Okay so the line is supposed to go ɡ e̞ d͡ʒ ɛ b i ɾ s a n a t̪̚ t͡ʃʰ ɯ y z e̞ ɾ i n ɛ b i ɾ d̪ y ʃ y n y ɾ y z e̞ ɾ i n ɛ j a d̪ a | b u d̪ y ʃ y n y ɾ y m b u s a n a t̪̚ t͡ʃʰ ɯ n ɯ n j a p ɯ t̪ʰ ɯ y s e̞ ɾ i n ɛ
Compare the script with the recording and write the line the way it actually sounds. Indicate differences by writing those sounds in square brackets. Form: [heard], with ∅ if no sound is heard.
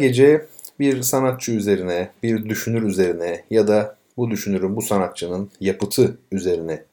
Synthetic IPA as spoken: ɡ e̞ d͡ʒ ɛ b i ɾ s a n a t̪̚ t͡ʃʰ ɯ y z e̞ ɾ i n ɛ b i ɾ d̪ y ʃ y n y ɾ y z e̞ ɾ i n ɛ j a d̪ a | b u d̪ y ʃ y n y ɾ y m b u s a n a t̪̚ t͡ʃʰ ɯ n ɯ n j a p ɯ t̪ʰ ɯ y [z] e̞ ɾ i n ɛ